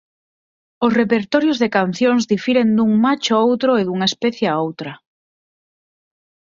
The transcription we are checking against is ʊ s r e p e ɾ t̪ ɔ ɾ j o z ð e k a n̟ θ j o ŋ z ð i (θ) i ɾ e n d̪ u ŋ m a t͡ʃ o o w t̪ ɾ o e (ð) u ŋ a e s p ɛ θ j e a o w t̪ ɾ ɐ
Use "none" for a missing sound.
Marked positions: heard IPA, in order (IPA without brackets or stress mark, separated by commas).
f, ð